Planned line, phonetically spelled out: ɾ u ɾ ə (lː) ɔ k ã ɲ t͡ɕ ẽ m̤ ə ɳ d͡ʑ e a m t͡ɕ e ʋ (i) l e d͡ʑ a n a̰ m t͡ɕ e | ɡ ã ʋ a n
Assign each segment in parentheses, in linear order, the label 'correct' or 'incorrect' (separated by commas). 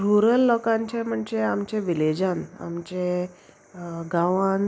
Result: correct, correct